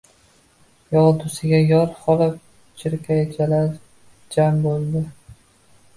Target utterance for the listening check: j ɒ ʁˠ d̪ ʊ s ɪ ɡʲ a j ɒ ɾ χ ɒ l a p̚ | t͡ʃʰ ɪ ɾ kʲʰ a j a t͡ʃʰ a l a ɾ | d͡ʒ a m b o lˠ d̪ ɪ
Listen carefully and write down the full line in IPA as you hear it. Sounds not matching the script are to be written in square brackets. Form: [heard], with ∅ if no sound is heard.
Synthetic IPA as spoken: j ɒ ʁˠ d̪ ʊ s ɪ ɡʲ a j ɒ ɾ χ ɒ l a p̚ | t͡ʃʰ ɪ ɾ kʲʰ a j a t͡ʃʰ a l a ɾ | d͡ʒ a m b o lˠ d̪ ɪ